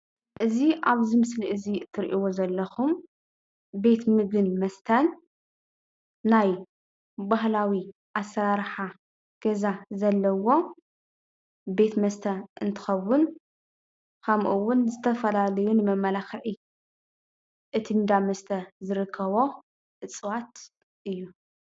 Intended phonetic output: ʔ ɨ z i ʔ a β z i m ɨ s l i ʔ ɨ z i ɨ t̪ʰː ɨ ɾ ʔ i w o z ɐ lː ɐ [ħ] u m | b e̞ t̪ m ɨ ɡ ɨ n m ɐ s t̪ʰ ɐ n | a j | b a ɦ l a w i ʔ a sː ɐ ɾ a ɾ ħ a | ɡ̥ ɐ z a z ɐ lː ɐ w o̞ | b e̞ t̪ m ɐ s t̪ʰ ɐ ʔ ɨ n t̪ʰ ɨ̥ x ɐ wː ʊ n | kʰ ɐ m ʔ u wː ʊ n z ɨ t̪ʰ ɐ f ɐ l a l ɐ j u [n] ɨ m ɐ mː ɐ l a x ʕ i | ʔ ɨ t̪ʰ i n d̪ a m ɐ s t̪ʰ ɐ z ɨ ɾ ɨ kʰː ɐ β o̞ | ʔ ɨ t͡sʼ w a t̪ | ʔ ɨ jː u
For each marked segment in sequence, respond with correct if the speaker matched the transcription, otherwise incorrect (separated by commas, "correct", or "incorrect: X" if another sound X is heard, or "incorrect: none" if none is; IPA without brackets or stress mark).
incorrect: x, correct